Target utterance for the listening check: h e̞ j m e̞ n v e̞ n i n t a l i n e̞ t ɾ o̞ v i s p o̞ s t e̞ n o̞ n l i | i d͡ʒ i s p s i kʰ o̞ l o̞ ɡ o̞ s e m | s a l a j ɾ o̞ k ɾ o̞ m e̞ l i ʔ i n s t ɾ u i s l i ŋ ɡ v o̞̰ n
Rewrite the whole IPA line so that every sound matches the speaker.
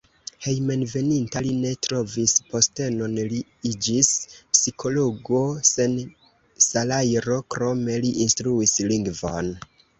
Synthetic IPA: h e̞ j m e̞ n v e̞ n i n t a l i n e̞ t ɾ o̞ v i s p o̞ s t e̞ n o̞ n l i | i d͡ʒ i s p s i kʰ o̞ l o̞ ɡ o̞ s e n | s a l a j ɾ o̞ k ɾ o̞ m e̞ l i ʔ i n s t ɾ u i s l i ŋ ɡ v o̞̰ n